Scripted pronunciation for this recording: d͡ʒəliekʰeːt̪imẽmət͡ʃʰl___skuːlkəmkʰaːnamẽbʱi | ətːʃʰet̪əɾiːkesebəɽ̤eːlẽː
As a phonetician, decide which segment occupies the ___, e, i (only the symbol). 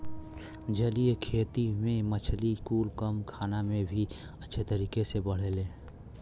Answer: i